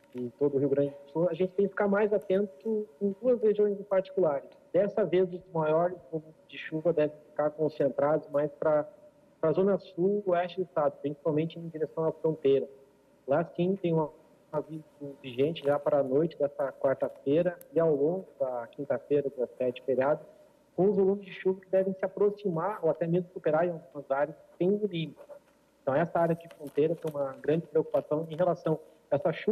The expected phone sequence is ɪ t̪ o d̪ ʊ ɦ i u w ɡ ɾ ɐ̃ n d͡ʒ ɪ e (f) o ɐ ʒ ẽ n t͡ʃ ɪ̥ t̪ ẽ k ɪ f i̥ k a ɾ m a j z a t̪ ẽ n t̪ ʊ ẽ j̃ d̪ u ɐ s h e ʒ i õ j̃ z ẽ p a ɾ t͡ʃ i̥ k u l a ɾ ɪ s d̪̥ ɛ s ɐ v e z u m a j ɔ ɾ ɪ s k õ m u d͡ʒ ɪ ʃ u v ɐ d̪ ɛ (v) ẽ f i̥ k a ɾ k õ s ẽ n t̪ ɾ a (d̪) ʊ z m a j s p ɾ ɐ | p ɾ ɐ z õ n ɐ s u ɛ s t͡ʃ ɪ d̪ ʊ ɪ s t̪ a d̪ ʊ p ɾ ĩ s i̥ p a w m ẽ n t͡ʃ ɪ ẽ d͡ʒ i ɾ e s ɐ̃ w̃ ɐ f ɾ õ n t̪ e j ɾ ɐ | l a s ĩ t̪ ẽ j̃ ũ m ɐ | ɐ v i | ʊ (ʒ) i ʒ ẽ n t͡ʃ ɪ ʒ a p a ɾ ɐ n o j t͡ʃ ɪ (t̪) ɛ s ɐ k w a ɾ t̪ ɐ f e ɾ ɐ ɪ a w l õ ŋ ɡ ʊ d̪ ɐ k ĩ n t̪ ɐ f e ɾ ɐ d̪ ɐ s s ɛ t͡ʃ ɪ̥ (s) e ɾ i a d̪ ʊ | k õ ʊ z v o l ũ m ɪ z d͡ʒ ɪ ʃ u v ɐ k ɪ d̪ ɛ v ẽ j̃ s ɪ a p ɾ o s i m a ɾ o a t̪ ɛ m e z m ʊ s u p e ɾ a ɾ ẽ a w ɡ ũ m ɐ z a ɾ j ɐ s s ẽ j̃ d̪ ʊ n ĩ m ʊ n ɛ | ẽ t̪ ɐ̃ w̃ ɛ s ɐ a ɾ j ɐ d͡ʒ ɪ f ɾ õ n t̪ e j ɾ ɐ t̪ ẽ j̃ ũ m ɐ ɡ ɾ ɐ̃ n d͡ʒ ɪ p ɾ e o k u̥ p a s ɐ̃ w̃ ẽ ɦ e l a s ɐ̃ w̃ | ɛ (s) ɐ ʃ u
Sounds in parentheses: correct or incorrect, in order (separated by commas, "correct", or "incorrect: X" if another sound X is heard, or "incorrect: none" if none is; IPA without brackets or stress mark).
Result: incorrect: s, correct, correct, incorrect: v, incorrect: d̪, incorrect: f, correct